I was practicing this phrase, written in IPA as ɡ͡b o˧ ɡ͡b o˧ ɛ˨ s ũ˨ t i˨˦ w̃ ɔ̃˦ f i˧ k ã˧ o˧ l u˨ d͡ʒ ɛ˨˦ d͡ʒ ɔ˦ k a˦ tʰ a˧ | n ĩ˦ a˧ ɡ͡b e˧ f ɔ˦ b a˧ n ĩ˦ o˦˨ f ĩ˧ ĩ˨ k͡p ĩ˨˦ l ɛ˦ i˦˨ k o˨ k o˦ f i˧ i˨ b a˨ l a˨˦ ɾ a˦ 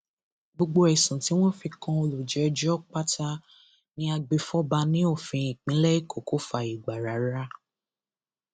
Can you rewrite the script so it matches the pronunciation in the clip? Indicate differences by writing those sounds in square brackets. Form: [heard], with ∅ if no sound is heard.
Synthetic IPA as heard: ɡ͡b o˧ ɡ͡b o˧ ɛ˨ s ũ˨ t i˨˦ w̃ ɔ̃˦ f i˧ k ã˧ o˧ l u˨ d͡ʒ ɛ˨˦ d͡ʒ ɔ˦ [k͡p] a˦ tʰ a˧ | n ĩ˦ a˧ ɡ͡b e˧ f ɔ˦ b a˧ n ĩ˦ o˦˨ f ĩ˧ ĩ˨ k͡p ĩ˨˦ l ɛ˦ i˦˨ k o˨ k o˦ f [a˧] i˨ [ɡ͡b] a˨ [ɾ] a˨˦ ɾ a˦